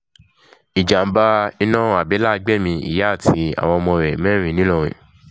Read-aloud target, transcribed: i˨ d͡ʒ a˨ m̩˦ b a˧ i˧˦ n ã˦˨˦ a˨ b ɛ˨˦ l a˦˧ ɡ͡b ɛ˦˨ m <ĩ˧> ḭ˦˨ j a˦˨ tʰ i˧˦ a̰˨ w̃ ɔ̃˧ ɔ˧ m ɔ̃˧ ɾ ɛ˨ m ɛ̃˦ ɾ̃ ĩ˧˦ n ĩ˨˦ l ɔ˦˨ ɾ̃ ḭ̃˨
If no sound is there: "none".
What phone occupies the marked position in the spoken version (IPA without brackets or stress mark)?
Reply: ĩ˧